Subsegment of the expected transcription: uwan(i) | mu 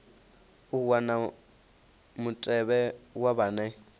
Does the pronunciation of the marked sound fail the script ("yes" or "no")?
yes